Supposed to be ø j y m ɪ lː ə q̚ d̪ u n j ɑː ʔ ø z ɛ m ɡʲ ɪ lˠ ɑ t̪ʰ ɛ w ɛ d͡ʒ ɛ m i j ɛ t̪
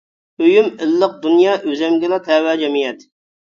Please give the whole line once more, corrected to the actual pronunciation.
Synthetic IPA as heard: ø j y m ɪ lː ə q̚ d̪ u n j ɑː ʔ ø z ɛ m ɡʲ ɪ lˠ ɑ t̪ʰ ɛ w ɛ d͡ʒ ɛ m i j ɛ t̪